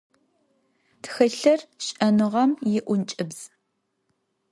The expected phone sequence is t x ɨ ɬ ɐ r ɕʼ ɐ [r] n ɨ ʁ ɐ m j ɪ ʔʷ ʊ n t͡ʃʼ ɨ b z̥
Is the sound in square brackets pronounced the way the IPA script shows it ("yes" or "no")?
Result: no